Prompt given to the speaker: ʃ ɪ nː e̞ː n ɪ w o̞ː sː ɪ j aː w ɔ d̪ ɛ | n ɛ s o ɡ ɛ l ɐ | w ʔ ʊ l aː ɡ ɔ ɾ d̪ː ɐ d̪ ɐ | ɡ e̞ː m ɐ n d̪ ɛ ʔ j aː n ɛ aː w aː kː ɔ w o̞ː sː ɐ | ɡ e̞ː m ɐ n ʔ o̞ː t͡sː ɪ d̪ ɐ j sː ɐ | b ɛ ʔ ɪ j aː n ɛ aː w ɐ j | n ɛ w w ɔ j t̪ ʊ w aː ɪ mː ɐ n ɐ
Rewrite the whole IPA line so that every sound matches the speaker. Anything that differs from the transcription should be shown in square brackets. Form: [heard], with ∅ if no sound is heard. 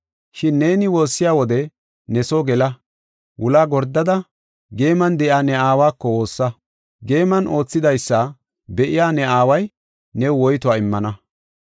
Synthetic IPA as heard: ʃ ɪ nː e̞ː n ɪ w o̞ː sː ɪ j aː w ɔ d̪ ɛ | n ɛ s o ɡ ɛ l ɐ | w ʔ ʊ l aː ɡ ɔ ɾ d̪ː ɐ d̪ ɐ | ɡ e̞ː m ɐ n d̪ ɛ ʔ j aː n ɛ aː w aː kː ɔ w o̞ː sː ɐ | ɡ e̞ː m ɐ n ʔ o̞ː t͡sː ɪ d̪ ɐ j sː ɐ | b ɛ ʔ ɪ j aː n ɛ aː w ɐ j | n ɛ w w ɔ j t̪ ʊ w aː ɪ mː ɐ n ɐ